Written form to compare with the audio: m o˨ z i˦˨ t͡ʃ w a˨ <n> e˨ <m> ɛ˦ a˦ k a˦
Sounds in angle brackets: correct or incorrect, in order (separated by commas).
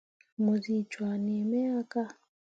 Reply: correct, correct